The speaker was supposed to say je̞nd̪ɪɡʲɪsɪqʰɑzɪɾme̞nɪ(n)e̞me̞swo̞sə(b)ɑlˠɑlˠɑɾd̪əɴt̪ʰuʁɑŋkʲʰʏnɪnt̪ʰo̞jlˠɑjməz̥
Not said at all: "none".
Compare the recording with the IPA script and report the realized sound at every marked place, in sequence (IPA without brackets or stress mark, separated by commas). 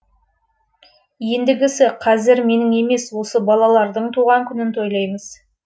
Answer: ŋ, b